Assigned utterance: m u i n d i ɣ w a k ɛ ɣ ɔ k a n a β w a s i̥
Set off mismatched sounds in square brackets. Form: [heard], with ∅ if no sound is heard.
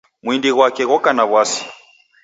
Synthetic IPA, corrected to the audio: m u i n d i ɣ w a k ɛ ɣ ɔ k a n a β w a s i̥